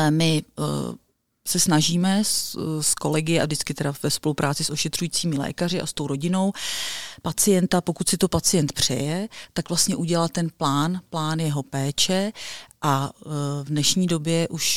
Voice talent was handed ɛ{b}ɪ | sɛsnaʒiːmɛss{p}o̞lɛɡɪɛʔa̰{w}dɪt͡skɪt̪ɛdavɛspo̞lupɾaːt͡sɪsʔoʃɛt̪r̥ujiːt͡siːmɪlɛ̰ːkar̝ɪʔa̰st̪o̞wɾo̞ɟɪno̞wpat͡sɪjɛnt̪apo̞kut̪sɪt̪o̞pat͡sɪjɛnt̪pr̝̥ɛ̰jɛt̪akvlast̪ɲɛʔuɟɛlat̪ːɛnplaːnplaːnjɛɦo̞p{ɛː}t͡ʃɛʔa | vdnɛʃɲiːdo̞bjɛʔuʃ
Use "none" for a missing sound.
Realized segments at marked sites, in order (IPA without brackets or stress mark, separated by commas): m, k, v, ɛː